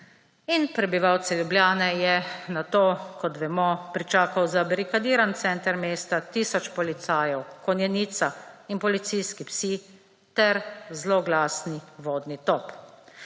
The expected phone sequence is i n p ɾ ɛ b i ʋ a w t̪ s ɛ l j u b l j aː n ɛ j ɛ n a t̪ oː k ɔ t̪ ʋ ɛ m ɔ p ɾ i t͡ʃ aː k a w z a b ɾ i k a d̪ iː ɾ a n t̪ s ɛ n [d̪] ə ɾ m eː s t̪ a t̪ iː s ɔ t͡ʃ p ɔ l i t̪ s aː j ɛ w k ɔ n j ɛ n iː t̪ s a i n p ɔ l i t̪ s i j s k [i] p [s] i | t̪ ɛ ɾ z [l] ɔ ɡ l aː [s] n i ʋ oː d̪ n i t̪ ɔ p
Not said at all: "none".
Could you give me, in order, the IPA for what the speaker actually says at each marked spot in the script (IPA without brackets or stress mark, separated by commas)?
t̪, i, s, l, s